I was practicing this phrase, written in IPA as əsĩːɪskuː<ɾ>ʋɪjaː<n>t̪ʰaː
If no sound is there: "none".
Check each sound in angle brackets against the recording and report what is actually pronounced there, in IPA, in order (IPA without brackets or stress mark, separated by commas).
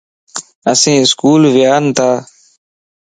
l, n